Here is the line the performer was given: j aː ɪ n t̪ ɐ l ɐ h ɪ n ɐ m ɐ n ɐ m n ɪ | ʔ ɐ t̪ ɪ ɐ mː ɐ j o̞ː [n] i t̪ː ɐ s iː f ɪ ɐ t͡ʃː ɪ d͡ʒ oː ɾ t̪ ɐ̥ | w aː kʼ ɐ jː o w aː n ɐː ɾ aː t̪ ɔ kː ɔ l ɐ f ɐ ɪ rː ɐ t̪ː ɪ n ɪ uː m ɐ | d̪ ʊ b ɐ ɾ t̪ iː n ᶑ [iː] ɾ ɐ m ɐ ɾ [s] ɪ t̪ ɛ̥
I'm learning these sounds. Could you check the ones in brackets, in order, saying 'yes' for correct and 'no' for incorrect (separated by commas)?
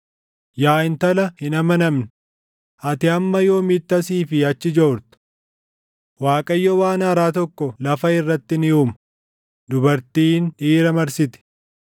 no, yes, yes